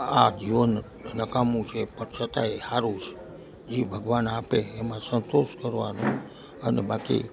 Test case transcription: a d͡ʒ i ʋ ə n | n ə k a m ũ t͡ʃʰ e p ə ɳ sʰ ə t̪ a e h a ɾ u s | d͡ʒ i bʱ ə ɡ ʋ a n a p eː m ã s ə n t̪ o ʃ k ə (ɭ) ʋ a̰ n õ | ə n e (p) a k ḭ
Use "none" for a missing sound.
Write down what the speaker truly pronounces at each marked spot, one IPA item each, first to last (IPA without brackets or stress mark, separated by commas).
ɾ, b